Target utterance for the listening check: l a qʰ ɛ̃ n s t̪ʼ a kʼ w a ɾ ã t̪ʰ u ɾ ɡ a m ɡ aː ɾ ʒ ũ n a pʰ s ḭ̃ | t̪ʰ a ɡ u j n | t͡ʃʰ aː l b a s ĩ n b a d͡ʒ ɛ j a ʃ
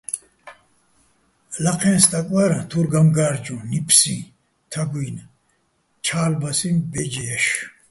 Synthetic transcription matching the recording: l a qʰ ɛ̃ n s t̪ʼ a kʼ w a ɾ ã t̪ʰ u ɾ ɡ a m ɡ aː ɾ d͡ʒ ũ n i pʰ s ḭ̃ | t̪ʰ a ɡ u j n | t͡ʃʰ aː l b a s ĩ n b ɛ d͡ʒ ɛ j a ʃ

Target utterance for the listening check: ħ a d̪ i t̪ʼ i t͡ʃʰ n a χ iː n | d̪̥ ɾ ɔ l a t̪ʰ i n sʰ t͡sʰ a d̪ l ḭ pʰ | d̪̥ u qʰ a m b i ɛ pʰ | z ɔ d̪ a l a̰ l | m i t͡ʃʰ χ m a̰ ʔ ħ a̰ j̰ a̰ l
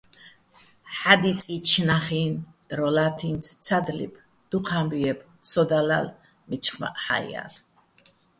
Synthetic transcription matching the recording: ħ a d̪ i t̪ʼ i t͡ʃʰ n a χ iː n | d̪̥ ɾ ɔ l a t̪ʰ i n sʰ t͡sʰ a d̪ l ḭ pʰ | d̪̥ u qʰ a m b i ɛ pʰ | s ɔ d̪ a l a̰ l | m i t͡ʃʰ χ m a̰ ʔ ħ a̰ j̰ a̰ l

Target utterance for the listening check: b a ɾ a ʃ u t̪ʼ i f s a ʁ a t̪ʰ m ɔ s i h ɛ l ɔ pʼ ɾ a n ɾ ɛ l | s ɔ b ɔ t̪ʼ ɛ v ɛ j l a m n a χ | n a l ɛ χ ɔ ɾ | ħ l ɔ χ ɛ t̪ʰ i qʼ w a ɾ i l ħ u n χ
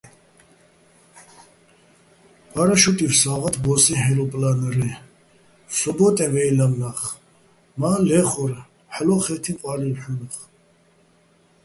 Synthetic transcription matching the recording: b a ɾ a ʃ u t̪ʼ i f s a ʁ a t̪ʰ b ɔ s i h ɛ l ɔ pʼ l a n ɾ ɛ | s ɔ b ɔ t̪ʼ ɛ v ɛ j l a m n a χ | m a l ɛ χ ɔ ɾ | ħ l ɔ χ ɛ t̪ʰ i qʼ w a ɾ i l ħ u n χ

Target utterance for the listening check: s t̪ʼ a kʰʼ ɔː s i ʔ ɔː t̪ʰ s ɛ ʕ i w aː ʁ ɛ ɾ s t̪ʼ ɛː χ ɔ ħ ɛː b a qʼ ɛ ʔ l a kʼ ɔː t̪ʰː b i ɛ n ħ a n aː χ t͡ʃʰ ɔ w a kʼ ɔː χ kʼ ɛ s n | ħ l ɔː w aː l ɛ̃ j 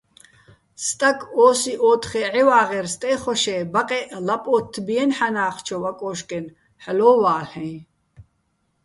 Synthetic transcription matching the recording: s t̪ʼ a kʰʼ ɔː s i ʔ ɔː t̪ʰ χ ɛ ʕ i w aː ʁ ɛ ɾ s t̪ʼ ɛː χ ɔ ʃ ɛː b a qʼ ɛ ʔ l a pʼ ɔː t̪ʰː b i ɛ n ħ a n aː χ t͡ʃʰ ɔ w a kʼ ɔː ʃ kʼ ɛ n | ħ l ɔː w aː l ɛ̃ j

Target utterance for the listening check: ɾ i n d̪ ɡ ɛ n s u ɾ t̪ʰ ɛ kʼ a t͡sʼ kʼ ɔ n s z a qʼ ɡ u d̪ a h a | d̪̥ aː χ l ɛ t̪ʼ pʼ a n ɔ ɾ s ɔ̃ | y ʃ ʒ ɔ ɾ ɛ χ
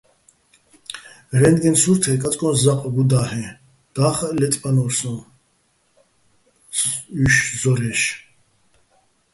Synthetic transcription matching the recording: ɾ ɛ n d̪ ɡ ɛ n s u ɾ t̪ʰ ɛ kʼ a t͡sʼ kʼ ɔ n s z a qʼ ɡ u d̪ a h ɛ | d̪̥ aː χ l ɛ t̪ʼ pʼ a n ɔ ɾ s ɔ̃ | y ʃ z ɔ ɾ ɛ ʃ

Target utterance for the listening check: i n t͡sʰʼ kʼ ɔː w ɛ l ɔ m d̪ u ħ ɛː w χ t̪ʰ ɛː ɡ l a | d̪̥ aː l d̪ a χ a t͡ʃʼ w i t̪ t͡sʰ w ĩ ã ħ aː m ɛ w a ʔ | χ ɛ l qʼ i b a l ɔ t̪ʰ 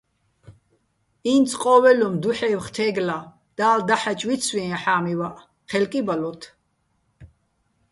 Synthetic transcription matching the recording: i n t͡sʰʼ qʼ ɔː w ɛ l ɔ m d̪ u ħ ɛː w χ t̪ʰ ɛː ɡ l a | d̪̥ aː l d̪ a ħ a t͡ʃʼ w i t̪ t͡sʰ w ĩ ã ħ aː m i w a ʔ | χ ɛ l kʼ i b a l ɔ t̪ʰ

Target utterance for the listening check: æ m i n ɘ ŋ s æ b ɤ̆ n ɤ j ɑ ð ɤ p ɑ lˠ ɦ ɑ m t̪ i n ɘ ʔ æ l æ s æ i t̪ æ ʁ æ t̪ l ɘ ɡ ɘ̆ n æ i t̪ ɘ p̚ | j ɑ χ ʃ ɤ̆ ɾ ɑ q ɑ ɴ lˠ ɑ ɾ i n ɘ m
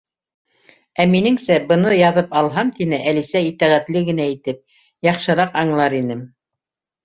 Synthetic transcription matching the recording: æ m i n ɘ ŋ s æ b ɤ̆ n ɤ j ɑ ð ɤ p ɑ lˠ ɦ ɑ m t̪ i n ɘ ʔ æ l i s æ i t̪ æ ʁ æ t̪ l ɘ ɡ ɘ̆ n æ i t̪ ɘ p̚ | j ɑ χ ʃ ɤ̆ ɾ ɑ q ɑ ɴ lˠ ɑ ɾ i n ɘ m

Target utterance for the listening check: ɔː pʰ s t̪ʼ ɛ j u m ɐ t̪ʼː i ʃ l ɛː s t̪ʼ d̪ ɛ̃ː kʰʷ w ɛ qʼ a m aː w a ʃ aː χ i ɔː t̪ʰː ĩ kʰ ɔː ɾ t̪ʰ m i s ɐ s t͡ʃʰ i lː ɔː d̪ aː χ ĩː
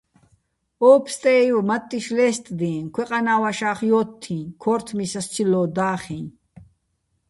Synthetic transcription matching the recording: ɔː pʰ s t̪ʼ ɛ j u m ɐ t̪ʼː i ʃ l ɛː s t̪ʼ d̪ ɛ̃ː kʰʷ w ɛ qʼ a n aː w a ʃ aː χ j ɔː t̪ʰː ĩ kʰ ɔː ɾ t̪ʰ m i s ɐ s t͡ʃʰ i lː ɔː d̪ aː χ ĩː

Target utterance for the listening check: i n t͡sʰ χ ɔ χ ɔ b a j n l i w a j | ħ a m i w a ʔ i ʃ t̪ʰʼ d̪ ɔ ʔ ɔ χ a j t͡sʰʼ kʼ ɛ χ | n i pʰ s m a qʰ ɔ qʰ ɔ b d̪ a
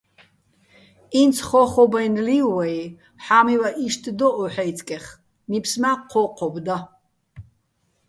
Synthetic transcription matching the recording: i n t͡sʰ χ ɔ χ ɔ b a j n l i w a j | ħ a m i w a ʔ i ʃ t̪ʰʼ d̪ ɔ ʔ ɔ ħ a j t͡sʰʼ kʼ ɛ χ | n i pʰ s m a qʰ ɔ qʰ ɔ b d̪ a

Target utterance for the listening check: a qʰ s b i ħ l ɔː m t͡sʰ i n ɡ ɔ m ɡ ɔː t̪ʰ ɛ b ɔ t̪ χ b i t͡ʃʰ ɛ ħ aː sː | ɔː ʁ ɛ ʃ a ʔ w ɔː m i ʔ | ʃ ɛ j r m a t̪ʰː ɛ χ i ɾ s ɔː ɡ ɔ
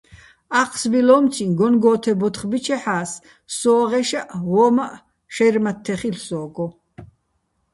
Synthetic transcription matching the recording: a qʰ s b i l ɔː m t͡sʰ i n ɡ ɔ n ɡ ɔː t̪ʰ ɛ b ɔ t̪ χ b i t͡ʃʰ ɛ ħ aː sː | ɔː ʁ ɛ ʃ a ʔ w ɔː m a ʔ | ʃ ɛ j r m a t̪ʰː ɛ χ i l s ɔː ɡ ɔ

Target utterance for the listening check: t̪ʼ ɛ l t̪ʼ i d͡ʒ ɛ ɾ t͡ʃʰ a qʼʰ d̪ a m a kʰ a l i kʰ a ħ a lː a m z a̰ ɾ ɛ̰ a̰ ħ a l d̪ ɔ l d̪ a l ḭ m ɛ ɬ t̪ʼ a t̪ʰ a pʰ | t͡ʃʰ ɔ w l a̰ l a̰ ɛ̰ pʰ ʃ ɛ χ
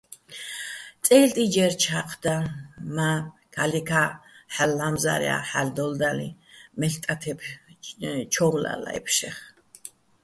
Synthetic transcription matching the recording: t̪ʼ ɛ l t̪ʼ i d͡ʒ ɛ ɾ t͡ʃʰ a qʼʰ d̪ a m a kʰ a l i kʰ a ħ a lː a m z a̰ ɾ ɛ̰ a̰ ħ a l d̪ ɔ l d̪ a l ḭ m ɛ ɬ t̪ʼ a t̪ʰ ɛ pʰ | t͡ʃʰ ɔ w l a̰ l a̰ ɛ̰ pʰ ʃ ɛ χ

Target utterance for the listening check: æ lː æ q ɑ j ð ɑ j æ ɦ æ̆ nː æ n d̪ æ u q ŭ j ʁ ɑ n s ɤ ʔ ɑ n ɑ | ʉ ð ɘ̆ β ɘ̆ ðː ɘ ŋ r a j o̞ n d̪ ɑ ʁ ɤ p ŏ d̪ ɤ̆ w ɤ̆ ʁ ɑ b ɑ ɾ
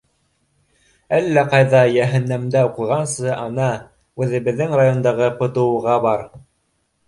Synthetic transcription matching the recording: æ lː æ q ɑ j ð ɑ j æ ɦ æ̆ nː æ m d̪ æ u q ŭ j ʁ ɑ n s ɤ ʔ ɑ n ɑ | ʉ ð ɘ̆ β ɘ̆ ðː ɘ ŋ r a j o̞ n d̪ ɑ ʁ ɤ p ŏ t̪ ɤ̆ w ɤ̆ ʁ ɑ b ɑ ɾ

